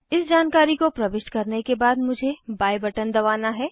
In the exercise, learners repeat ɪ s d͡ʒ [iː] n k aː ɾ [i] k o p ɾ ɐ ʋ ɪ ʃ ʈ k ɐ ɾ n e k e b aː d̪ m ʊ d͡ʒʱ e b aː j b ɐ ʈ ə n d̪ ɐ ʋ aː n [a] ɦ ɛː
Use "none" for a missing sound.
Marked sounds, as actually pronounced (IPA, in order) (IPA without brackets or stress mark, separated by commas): aː, i, a